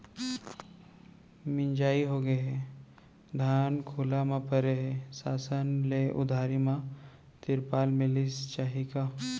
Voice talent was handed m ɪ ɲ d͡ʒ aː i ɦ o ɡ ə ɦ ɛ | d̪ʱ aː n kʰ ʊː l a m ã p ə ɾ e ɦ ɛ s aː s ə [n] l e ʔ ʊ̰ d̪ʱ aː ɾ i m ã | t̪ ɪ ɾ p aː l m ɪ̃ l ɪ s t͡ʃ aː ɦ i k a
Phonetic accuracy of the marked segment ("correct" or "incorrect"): correct